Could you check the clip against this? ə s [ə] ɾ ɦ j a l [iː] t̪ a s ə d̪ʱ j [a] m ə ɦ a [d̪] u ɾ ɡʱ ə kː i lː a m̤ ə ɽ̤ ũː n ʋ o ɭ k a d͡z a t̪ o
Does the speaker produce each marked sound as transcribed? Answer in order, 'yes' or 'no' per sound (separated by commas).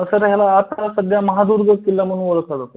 yes, no, yes, yes